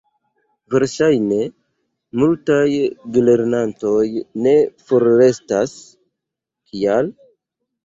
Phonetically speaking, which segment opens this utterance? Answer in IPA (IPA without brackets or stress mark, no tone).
v